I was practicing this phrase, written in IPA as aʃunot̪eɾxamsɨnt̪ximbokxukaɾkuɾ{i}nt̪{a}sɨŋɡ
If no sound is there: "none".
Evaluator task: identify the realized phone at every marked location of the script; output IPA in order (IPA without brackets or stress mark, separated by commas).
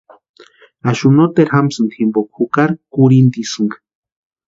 i, i